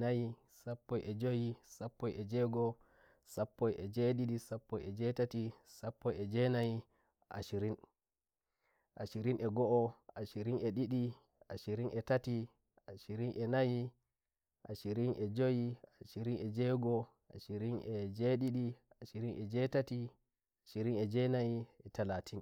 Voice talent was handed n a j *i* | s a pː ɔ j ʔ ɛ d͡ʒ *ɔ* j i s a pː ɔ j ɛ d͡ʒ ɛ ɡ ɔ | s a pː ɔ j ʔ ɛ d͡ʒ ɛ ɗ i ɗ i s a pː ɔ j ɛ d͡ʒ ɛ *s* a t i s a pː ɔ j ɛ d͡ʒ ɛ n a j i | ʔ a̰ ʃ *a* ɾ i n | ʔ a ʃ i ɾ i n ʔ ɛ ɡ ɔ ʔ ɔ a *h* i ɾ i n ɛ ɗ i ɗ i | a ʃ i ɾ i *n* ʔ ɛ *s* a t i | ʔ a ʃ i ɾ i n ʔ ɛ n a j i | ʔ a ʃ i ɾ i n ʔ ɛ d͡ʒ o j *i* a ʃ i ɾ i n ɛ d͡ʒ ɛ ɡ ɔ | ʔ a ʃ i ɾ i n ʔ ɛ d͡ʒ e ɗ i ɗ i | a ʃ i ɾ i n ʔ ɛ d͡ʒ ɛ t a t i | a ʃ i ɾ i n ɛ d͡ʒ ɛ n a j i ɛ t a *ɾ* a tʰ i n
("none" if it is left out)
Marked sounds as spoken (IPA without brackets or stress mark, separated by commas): i, o, t, i, ʃ, n, t, i, l